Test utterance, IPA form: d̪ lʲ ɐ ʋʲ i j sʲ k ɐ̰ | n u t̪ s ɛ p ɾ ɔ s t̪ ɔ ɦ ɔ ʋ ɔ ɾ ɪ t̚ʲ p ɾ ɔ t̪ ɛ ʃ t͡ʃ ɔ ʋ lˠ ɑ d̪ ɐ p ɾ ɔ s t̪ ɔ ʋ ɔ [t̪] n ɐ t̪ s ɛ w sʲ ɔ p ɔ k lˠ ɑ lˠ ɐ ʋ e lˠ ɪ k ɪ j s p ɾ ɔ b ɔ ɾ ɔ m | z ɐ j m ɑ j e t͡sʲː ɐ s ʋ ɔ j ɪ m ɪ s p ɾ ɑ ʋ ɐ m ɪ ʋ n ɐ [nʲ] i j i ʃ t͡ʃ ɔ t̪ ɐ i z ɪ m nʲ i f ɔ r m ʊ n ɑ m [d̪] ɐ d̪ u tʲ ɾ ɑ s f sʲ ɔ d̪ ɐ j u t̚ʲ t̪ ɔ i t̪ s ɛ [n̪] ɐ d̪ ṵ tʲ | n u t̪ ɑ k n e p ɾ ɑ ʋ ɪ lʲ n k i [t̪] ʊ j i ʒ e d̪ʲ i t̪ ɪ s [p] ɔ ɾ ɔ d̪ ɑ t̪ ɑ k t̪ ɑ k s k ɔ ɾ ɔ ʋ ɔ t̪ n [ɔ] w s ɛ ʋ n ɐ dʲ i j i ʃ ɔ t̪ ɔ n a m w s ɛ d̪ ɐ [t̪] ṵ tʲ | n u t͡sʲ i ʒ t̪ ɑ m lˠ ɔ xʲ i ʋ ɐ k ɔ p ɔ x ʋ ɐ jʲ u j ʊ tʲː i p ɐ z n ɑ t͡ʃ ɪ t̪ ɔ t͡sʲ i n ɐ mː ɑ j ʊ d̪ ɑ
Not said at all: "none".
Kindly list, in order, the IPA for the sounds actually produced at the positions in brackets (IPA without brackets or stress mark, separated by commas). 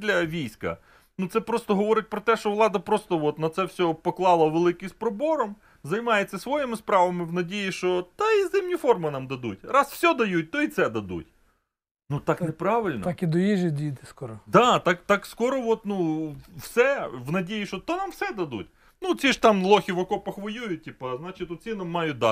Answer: t̪, dʲ, d̪, d̪, d̪, k, u, d̪